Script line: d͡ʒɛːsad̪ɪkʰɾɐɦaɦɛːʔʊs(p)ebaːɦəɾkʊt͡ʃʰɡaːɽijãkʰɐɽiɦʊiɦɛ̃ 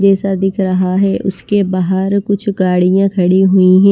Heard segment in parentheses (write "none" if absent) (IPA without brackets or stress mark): k